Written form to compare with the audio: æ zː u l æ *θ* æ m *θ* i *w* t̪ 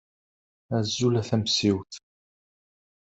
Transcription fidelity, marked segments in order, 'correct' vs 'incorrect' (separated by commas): correct, incorrect, correct